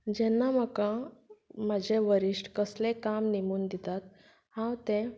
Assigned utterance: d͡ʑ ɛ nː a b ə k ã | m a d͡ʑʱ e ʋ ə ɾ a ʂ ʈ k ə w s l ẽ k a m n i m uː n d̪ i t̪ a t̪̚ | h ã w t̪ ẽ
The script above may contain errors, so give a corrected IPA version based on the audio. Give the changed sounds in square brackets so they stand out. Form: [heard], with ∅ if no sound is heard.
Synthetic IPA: d͡ʑ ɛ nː a [m] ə k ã | m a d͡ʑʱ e ʋ ə ɾ [i] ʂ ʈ k ə [∅] s l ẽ k a m n i m uː n d̪ i t̪ a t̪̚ | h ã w t̪ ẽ